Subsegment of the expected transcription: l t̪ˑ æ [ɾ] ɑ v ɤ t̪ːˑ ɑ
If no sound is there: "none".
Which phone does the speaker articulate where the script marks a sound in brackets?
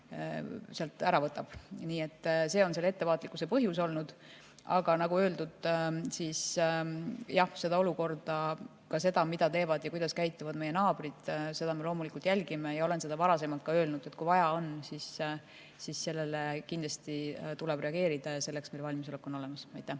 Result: ɾ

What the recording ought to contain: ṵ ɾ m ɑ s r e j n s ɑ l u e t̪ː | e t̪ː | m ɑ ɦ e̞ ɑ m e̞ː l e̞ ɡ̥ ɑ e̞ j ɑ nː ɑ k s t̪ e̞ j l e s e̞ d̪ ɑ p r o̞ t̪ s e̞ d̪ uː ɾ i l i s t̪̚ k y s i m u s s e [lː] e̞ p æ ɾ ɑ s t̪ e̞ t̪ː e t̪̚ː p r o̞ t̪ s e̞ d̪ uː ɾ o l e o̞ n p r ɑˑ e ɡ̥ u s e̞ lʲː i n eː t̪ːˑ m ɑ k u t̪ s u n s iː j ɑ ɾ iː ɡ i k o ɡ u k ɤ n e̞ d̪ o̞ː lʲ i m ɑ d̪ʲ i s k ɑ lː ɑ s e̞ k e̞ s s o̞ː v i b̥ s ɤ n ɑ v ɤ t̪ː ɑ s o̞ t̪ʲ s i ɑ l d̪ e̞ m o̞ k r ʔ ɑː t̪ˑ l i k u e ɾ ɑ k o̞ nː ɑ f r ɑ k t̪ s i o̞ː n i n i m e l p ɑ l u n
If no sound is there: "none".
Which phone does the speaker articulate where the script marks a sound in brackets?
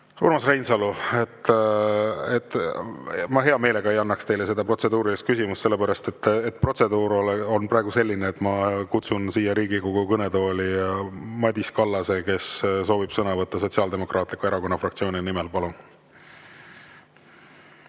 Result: lː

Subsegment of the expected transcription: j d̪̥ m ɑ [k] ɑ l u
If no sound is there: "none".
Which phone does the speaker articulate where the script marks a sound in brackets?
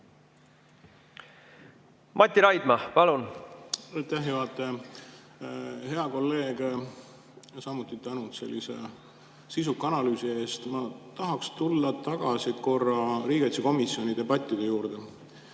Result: p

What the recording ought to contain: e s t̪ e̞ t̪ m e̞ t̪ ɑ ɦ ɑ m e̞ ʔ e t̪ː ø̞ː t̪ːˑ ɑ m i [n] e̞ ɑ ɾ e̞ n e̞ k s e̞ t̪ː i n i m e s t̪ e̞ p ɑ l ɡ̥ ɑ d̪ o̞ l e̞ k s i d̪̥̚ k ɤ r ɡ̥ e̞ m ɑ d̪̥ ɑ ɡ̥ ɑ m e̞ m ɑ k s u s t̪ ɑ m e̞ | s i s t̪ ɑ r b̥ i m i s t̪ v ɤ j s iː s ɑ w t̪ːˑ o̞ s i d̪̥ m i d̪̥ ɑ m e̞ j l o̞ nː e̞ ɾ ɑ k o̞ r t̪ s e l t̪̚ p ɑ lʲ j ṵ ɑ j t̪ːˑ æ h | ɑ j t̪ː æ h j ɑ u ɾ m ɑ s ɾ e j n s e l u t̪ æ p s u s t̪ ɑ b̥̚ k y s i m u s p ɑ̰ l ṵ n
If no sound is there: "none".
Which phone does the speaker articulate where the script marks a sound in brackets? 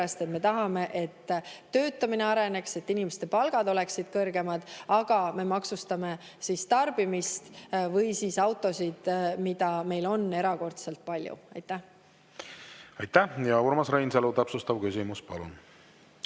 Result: n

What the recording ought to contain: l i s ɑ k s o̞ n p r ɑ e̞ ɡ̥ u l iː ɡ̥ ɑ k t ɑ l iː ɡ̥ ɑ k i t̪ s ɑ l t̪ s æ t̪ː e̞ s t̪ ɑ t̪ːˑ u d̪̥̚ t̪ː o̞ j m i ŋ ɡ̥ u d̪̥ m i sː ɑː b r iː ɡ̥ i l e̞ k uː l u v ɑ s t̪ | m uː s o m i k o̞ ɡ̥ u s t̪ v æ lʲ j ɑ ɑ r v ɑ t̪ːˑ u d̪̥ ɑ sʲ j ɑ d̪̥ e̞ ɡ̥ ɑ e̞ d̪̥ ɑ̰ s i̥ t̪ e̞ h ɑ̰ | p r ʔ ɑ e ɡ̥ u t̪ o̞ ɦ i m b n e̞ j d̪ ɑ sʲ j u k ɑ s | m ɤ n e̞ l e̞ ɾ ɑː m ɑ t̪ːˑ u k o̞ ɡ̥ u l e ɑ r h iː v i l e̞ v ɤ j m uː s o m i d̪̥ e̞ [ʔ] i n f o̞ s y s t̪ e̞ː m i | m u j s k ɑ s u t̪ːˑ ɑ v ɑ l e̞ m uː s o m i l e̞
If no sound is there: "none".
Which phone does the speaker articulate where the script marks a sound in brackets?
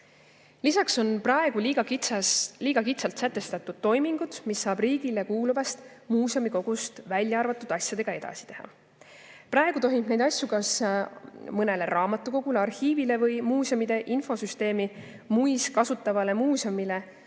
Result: ʔ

